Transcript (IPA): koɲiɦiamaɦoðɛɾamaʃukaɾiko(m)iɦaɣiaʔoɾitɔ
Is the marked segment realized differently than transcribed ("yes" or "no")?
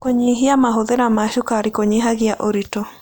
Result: yes